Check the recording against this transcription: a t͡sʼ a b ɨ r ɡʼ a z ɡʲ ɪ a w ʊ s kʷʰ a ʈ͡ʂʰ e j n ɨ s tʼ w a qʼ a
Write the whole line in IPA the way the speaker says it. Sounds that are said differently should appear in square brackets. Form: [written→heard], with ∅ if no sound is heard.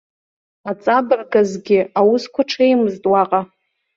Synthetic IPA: a t͡sʼ a b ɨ r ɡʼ a z ɡʲ ɪ a w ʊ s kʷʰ a ʈ͡ʂʰ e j [n→m] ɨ [s→z] tʼ w a qʼ a